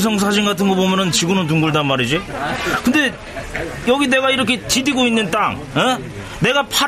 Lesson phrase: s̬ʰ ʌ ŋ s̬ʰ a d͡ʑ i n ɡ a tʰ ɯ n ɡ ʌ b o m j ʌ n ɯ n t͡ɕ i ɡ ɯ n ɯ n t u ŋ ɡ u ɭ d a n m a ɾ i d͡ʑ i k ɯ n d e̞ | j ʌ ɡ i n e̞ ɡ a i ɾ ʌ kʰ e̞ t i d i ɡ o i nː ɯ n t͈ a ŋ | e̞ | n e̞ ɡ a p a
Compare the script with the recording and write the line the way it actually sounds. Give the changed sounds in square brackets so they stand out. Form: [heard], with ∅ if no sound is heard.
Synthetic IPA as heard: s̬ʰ ʌ ŋ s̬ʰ a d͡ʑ i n ɡ a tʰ ɯ n ɡ ʌ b o m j ʌ n ɯ n t͡ɕ i ɡ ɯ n ɯ n t u ŋ ɡ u ɭ d a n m a ɾ i d͡ʑ i k ɯ n d e̞ | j ʌ ɡ i n e̞ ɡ a i ɾ ʌ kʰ e̞ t i d i ɡ o i nː ɯ n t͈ a ŋ | e̞ | n e̞ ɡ a [pʰ] a